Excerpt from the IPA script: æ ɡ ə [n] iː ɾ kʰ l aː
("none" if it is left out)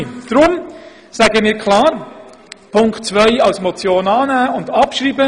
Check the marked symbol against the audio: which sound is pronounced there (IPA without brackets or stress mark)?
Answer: m